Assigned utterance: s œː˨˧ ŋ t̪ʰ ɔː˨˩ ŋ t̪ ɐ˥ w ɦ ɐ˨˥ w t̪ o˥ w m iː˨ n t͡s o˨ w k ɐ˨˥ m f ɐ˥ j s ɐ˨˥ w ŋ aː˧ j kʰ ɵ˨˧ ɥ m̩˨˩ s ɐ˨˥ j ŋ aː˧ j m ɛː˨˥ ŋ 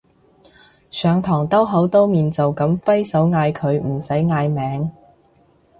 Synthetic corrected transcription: s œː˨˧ ŋ t̪ʰ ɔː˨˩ ŋ t̪ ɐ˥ w ɦ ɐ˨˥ w t̪ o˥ w m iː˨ n t͡s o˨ w k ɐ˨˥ m f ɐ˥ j s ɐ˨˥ w ŋ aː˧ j kʰ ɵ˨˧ ɥ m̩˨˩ s ɐ˨˥ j ŋ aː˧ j m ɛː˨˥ ŋ

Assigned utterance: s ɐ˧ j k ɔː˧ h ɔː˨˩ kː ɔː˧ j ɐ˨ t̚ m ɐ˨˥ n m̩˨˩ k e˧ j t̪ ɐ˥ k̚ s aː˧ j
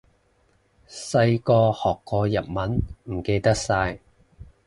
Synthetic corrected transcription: s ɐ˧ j k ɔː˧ h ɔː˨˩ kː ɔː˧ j ɐ˨ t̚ m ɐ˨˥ n m̩˨˩ k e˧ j t̪ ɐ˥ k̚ s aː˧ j

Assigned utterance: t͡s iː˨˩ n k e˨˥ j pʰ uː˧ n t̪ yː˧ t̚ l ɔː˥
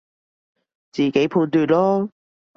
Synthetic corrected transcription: t͡s iː˨˩ k e˨˥ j pʰ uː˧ n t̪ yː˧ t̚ l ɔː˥

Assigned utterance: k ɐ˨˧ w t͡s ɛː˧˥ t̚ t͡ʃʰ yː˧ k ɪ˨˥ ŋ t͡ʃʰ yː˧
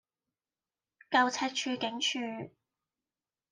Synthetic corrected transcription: k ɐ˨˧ w t͡sʰ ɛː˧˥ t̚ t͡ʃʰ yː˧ k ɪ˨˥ ŋ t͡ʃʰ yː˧

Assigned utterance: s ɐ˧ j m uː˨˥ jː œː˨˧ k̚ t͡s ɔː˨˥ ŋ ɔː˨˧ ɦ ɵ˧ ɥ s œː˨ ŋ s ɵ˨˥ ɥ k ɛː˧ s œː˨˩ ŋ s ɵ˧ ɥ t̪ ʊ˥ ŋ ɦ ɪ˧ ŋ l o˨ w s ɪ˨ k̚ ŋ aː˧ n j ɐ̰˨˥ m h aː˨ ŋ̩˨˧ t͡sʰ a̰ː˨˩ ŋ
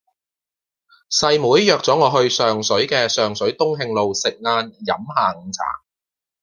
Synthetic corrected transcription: s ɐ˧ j m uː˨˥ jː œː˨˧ k̚ t͡s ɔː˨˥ ŋ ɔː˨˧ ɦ ɵ˧ ɥ s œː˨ ŋ s ɵ˨˥ ɥ k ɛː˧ s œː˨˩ ŋ s ɵ˨˥ ɥ t̪ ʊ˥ ŋ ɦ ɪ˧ ŋ l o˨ w s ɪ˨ k̚ ŋ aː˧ n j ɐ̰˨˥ m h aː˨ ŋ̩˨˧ t͡sʰ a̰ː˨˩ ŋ

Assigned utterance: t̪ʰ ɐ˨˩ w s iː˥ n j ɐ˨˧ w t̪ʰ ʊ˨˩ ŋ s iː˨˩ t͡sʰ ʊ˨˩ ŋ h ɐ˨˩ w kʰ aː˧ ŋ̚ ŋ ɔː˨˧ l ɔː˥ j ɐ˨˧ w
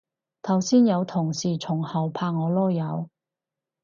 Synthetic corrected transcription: t̪ʰ ɐ˨˩ w s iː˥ n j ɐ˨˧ w t̪ʰ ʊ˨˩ ŋ s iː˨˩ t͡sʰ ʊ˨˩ ŋ h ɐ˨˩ w pʰ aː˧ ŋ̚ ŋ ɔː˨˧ l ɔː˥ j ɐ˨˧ w

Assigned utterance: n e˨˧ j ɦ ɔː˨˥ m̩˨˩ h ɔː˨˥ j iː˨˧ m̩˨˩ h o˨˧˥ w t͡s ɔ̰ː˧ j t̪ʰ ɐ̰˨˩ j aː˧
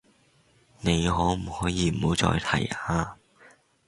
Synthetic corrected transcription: n e˨˧ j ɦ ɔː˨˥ m̩˨˩ h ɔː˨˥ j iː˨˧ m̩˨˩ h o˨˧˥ w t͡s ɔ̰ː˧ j t̪ʰ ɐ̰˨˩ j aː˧

